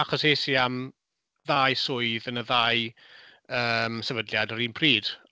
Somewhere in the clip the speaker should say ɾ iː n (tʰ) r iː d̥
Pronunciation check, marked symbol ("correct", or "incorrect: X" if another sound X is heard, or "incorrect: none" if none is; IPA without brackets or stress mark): incorrect: pʰ